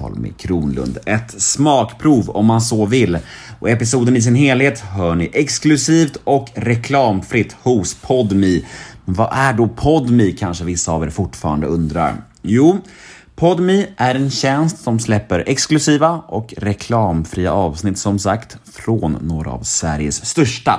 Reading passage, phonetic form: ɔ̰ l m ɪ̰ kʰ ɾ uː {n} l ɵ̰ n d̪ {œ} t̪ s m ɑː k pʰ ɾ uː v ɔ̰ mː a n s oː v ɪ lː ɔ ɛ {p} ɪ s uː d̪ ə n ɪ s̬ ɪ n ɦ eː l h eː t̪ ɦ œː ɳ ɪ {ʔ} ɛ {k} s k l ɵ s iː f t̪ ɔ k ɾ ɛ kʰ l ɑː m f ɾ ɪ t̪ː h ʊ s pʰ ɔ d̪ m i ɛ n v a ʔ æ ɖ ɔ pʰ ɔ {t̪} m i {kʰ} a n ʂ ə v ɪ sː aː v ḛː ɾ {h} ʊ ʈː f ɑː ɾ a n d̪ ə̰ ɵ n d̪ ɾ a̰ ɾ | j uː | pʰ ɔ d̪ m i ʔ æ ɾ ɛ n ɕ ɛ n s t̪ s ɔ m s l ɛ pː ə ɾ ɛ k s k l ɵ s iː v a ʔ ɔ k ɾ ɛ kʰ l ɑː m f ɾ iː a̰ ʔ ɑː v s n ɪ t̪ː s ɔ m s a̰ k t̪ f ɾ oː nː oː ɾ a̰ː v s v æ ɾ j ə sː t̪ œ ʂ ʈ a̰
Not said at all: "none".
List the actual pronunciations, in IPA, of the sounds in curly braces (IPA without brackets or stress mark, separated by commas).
n, ɛ, p, ʔ, k, d̪, kʰ, f